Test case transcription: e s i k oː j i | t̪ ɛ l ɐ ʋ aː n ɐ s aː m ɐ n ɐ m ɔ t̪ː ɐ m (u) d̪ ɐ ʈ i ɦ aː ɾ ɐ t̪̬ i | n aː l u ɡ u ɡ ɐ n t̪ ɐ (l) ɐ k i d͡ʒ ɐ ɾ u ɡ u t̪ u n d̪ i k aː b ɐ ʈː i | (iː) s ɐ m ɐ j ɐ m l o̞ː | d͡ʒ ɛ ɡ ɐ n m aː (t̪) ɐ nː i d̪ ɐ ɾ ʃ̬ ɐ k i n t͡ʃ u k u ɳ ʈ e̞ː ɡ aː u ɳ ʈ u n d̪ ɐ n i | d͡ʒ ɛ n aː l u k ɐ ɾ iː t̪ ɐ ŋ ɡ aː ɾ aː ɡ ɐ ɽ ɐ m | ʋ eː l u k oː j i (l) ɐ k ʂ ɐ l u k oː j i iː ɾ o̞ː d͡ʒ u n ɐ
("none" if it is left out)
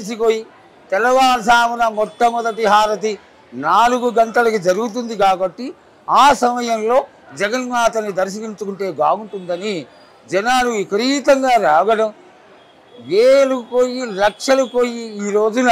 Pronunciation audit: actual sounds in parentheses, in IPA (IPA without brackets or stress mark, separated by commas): ɔ, l, aː, t̪, l